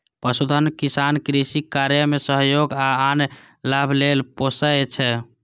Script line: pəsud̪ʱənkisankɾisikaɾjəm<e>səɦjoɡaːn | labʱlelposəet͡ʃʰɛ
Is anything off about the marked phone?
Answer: no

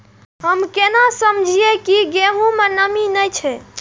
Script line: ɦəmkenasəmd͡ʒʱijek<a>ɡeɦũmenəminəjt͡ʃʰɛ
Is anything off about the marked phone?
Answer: yes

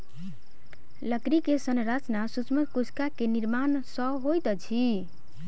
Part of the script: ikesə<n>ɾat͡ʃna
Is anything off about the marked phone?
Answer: no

